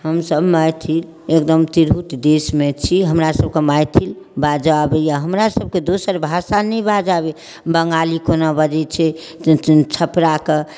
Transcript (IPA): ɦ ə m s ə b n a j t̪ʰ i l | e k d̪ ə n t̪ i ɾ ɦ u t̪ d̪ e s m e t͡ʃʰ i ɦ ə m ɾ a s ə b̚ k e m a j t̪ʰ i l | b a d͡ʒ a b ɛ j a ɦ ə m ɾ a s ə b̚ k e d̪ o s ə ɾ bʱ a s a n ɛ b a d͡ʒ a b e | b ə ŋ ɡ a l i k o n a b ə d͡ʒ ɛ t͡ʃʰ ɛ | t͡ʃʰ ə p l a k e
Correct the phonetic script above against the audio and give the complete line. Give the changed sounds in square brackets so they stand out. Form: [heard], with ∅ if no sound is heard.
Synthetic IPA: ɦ ə m s ə b [m] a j t̪ʰ i l | e k d̪ ə [m] t̪ i ɾ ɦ u t̪ d̪ e s m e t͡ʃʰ i ɦ ə m ɾ a s ə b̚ k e m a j t̪ʰ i l | b a d͡ʒ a b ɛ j a ɦ ə m ɾ a s ə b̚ k e d̪ o s ə ɾ bʱ a s a n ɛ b a d͡ʒ a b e | b ə ŋ ɡ a l i k o n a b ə d͡ʒ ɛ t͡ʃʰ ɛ | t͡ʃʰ ə p [ɾ] a k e